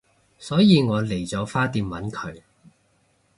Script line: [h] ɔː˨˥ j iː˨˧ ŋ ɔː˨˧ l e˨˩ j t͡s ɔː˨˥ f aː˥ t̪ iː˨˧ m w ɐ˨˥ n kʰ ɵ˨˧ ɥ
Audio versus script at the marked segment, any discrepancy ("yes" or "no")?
yes